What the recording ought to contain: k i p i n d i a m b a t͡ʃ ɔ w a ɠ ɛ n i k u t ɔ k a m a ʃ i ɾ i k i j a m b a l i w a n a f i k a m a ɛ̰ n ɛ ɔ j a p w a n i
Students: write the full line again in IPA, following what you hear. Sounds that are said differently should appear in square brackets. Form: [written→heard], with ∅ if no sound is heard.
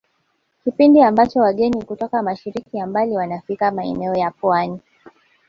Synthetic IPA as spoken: k i p i n d i a m b a t͡ʃ ɔ w a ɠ ɛ n i k u t ɔ k a m a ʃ i ɾ i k i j a m b a l i w a n a f i k a m a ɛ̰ n ɛ ɔ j a p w a n i

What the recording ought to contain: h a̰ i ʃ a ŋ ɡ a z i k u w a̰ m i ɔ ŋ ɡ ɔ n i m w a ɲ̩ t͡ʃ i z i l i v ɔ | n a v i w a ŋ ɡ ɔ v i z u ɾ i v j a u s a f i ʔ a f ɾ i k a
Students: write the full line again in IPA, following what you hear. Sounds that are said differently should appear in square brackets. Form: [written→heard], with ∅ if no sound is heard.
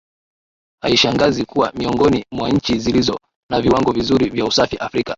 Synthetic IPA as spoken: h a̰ i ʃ a ŋ ɡ a z i k u w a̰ m i ɔ ŋ ɡ ɔ n i m w a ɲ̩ t͡ʃ i z i l i [v→z] ɔ | n a v i w a ŋ ɡ ɔ v i z u ɾ i v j a u s a f i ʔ a f ɾ i k a

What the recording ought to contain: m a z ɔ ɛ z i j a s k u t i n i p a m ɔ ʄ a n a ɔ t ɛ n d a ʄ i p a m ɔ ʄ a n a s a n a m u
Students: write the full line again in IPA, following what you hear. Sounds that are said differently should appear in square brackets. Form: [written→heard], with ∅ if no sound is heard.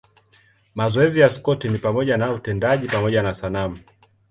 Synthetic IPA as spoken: m a z ɔ ɛ z i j a s k [u→ɔ] t i n i p a m ɔ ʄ a n a [ɔ→u] t ɛ n d a ʄ i p a m ɔ ʄ a n a s a n a m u

